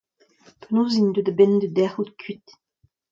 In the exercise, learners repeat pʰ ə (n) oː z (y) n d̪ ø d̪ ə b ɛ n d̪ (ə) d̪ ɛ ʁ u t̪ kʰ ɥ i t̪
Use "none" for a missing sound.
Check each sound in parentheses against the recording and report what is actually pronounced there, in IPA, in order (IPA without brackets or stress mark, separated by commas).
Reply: n, i, ə